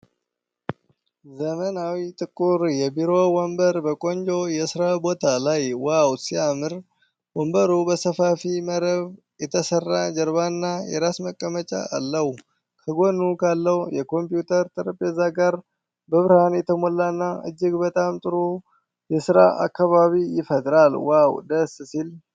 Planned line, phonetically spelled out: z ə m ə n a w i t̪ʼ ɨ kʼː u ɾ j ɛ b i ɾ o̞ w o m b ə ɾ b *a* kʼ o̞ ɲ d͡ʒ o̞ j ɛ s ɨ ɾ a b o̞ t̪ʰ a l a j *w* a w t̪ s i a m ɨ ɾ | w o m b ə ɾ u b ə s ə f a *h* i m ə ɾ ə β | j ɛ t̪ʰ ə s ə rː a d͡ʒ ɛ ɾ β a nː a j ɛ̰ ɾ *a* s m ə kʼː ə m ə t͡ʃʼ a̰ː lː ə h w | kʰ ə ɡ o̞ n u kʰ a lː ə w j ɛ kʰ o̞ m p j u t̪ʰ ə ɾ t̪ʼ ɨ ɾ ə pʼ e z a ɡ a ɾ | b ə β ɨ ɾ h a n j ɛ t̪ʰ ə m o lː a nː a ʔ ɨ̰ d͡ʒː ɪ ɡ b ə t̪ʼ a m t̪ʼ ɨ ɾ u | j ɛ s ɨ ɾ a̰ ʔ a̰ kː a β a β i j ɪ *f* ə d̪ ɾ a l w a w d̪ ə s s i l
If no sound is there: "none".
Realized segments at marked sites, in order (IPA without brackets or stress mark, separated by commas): ə, w, f, a, f